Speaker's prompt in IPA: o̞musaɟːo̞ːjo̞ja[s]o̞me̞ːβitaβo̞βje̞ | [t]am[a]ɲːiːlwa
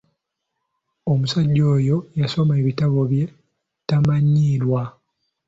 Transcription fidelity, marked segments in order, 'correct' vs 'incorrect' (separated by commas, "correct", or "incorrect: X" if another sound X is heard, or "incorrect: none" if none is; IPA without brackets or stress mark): correct, correct, correct